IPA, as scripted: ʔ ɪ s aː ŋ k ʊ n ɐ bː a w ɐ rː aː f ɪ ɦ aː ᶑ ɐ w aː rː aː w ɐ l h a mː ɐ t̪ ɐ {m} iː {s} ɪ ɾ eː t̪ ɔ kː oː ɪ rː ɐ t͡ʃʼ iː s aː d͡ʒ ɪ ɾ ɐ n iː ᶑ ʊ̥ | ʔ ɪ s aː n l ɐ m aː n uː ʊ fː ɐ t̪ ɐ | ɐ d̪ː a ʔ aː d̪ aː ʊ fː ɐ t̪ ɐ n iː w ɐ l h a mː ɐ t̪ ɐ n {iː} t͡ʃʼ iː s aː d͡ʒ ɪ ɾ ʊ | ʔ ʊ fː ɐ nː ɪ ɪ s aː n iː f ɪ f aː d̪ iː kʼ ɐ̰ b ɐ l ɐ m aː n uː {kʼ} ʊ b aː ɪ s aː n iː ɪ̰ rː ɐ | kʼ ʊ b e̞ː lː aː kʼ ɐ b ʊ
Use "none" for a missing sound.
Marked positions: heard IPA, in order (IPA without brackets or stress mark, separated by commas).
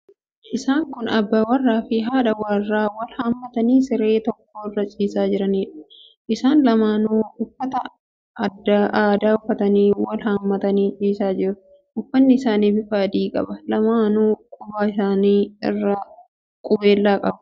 n, s, iː, kʼ